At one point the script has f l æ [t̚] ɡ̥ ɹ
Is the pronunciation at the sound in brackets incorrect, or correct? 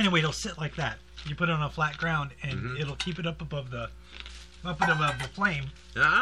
correct